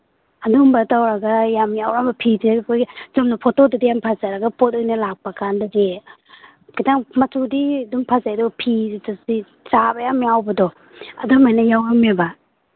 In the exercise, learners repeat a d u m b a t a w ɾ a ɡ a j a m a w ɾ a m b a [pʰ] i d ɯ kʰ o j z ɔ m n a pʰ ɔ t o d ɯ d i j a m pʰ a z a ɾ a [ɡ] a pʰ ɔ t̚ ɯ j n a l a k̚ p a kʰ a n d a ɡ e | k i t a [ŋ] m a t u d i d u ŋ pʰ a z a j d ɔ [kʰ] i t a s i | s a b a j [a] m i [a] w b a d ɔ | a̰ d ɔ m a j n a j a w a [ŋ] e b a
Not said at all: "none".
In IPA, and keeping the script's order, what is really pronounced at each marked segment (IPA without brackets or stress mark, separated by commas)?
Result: pʰ, ɡ, ŋ, pʰ, a, a, m